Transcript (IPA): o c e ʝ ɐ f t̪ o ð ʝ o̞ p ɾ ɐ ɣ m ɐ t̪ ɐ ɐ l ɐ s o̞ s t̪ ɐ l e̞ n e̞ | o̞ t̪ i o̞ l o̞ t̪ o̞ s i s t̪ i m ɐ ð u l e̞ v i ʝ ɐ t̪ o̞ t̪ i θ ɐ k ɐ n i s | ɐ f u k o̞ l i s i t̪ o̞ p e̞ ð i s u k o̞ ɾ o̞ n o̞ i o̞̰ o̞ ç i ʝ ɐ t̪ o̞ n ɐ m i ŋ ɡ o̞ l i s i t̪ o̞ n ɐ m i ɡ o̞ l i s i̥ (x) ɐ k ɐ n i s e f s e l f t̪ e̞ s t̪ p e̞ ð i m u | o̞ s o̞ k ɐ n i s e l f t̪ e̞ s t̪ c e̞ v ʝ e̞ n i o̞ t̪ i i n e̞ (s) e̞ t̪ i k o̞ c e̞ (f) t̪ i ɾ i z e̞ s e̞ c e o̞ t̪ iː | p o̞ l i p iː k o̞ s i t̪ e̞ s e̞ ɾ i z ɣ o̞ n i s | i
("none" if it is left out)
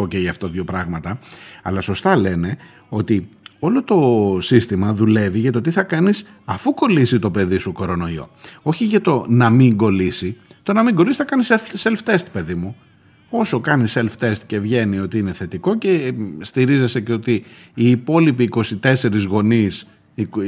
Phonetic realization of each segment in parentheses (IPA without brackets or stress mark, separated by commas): θ, θ, s